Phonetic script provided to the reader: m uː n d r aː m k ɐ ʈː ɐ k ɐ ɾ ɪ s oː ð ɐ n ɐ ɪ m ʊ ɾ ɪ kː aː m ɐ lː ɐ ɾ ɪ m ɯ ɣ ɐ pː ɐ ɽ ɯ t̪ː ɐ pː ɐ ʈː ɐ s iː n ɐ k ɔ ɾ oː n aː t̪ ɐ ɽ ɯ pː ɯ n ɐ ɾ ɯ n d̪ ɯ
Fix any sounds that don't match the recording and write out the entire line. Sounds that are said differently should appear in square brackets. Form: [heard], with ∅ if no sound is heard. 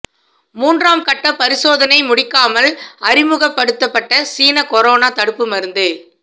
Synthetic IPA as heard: m uː n d r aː m k ɐ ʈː ɐ [p] ɐ ɾ ɪ s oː ð ɐ n ɐ ɪ m ʊ [ɽ] ɪ kː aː m ɐ [l] ɐ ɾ ɪ m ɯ ɣ ɐ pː ɐ ɽ ɯ t̪ː ɐ pː ɐ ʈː ɐ s iː n ɐ k ɔ ɾ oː n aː t̪ ɐ ɽ ɯ pː ɯ [m] ɐ ɾ ɯ n d̪ ɯ